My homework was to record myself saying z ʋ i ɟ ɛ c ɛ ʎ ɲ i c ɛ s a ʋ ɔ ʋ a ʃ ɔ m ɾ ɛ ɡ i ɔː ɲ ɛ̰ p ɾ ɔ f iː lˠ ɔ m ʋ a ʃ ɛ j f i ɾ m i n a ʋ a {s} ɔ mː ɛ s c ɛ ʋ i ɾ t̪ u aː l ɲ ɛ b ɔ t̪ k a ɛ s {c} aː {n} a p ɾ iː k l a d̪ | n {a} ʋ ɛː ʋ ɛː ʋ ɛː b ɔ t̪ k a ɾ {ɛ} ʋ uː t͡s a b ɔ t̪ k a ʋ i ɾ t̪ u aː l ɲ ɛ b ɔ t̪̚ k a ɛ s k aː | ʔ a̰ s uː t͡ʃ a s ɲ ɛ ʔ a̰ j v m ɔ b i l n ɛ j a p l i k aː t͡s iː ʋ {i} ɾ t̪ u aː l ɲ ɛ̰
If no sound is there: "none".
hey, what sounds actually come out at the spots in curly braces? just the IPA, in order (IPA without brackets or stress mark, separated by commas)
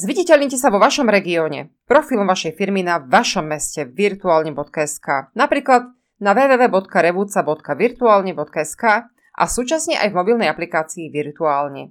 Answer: ʃ, k, n, a, ɛ, i